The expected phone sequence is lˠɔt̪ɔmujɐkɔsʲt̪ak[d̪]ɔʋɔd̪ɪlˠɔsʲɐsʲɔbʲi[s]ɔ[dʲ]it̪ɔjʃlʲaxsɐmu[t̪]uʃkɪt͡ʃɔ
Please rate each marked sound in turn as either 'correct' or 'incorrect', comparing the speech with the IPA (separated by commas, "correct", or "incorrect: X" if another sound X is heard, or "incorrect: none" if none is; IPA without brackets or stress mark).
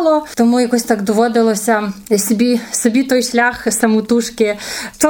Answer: correct, correct, incorrect: bʲ, correct